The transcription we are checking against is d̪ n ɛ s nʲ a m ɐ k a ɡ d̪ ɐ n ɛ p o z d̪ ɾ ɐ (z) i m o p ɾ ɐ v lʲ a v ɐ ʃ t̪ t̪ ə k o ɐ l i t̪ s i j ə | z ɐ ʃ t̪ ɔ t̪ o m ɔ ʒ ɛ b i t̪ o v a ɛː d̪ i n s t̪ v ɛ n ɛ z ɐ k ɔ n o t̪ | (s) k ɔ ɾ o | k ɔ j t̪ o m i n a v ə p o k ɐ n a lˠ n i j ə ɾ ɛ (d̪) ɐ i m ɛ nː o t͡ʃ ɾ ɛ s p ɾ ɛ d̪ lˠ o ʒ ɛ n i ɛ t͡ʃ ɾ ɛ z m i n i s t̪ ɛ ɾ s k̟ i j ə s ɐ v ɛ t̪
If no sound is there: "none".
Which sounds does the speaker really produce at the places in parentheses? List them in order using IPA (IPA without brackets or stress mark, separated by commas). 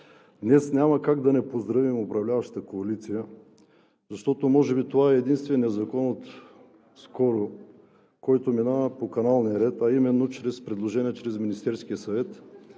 v, s, t̪